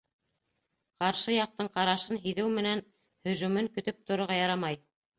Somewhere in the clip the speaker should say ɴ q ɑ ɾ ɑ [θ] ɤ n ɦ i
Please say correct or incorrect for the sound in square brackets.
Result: incorrect